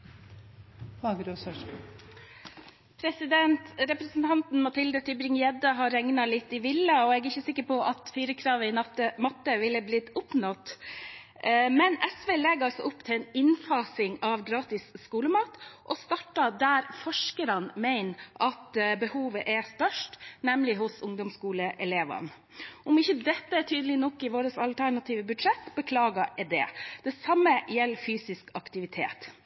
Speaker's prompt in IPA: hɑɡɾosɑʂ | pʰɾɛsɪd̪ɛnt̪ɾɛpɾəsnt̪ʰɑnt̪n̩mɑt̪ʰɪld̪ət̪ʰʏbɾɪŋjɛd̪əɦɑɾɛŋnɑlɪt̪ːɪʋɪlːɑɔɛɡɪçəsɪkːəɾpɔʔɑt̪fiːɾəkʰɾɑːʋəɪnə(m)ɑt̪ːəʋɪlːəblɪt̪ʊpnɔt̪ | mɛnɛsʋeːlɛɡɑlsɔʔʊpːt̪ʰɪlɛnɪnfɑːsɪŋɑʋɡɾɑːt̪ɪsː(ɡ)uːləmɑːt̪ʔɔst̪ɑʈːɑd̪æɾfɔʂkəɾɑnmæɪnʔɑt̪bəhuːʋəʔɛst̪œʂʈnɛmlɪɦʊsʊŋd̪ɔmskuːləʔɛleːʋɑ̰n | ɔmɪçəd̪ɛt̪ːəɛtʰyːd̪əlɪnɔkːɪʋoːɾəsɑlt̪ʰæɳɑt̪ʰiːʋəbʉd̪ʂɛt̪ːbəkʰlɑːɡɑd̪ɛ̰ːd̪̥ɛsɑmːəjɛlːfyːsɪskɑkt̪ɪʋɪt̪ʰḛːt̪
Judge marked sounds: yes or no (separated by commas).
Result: yes, no